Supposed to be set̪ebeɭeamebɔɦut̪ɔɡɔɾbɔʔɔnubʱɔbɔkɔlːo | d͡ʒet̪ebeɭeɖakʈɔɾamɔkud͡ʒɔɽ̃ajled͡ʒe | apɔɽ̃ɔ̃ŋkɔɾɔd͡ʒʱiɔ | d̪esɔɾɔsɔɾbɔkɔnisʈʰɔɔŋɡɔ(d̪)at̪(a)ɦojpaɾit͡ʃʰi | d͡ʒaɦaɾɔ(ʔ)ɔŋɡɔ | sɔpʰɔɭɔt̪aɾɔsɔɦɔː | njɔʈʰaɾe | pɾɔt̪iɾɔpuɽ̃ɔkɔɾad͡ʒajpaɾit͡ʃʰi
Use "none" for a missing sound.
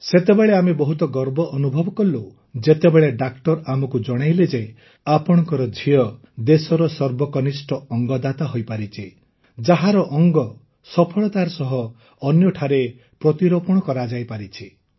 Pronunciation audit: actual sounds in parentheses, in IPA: d̪, a, ʔ

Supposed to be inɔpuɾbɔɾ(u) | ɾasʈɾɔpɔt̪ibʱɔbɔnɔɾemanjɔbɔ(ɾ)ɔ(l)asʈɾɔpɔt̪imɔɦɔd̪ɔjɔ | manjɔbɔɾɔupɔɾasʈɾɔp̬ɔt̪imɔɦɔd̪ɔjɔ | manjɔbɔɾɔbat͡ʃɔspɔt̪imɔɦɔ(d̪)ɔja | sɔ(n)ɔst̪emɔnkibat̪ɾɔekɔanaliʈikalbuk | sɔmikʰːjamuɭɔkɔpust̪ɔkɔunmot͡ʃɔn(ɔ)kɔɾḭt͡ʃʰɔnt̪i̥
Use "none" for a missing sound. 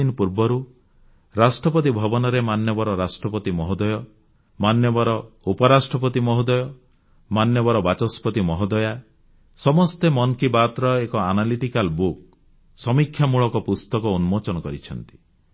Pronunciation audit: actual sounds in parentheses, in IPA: u, ɾ, ɾ, d̪, m, ɔ

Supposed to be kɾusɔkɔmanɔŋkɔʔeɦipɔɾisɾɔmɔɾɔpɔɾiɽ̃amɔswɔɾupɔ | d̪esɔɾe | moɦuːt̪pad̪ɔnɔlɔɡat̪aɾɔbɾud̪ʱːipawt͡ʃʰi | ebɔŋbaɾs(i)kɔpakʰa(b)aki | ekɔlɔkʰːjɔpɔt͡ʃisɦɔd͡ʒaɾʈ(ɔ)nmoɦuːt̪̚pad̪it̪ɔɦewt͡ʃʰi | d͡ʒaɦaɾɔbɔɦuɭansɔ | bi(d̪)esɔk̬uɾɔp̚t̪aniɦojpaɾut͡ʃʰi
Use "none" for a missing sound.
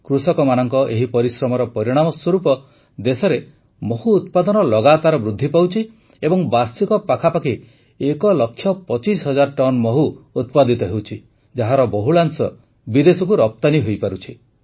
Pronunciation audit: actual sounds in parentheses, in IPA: i, p, ɔ, d̪

